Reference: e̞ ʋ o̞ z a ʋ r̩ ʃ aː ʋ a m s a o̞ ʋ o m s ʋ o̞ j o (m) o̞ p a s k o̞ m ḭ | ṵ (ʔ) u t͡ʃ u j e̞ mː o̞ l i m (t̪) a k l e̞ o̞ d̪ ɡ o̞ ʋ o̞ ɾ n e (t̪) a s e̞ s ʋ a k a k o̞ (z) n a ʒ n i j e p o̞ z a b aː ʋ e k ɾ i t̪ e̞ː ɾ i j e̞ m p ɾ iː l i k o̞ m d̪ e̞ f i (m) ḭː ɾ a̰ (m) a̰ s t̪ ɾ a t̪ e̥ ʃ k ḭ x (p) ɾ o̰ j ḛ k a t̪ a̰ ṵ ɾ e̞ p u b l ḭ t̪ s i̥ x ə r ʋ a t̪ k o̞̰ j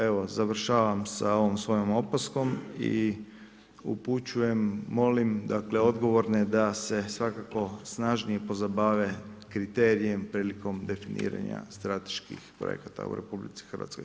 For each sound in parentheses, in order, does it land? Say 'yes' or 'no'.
yes, no, no, no, no, no, no, yes

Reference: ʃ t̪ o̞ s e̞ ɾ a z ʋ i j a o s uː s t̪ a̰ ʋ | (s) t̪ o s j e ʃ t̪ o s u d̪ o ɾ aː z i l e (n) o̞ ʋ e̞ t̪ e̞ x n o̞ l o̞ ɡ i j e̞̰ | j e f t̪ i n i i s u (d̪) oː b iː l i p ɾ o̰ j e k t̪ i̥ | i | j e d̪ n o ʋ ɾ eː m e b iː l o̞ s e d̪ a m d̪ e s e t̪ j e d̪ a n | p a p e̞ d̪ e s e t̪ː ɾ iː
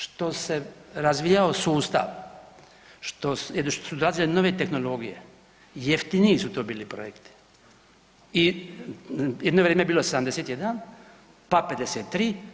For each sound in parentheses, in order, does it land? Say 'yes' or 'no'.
no, yes, no

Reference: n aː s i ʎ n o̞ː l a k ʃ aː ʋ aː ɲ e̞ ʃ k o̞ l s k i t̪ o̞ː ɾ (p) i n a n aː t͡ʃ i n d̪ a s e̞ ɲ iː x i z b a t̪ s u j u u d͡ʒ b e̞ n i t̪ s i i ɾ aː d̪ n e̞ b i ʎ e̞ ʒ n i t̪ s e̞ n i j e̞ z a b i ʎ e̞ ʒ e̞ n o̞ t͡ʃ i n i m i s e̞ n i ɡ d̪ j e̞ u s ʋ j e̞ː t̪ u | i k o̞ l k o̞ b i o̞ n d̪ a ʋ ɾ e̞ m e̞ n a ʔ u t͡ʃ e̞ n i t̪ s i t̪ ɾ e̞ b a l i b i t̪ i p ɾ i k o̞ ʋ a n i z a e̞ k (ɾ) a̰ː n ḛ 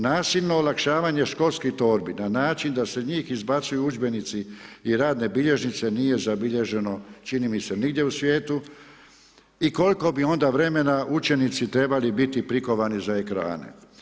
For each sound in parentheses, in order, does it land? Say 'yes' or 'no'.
no, yes

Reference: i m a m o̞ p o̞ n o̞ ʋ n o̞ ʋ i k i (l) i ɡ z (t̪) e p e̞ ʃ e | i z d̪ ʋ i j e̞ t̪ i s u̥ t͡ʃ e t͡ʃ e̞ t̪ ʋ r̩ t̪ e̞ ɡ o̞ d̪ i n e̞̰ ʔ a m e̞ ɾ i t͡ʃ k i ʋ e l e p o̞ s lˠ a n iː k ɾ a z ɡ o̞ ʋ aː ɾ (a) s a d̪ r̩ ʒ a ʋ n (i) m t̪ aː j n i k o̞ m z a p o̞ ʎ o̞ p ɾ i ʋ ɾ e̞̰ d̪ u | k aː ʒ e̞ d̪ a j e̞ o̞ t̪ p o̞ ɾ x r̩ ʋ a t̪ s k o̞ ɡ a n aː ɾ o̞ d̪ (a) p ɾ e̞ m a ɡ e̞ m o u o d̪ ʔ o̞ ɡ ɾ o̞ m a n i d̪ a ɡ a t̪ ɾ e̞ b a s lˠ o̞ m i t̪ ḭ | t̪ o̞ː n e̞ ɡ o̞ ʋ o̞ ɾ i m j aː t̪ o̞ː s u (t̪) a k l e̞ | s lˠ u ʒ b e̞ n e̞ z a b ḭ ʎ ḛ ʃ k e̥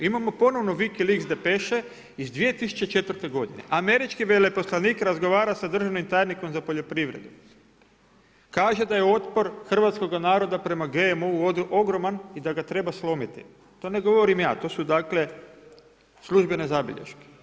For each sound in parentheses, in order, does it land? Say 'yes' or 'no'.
yes, no, yes, yes, yes, no

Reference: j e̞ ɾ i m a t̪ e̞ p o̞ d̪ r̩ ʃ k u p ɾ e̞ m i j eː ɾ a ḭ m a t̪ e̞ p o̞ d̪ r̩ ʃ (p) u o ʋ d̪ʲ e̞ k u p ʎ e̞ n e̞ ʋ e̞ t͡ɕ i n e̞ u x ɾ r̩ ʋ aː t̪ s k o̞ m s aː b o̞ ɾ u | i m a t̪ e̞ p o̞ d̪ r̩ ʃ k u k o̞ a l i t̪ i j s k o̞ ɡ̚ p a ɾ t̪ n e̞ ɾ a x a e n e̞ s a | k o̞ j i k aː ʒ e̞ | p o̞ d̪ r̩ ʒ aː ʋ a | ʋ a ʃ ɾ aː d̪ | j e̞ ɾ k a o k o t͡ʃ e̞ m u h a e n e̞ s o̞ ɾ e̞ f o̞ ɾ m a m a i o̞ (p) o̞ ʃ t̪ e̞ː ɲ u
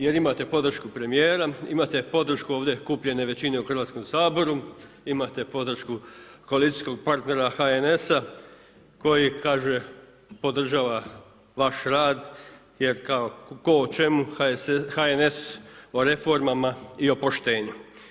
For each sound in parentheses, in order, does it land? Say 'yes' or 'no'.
no, yes

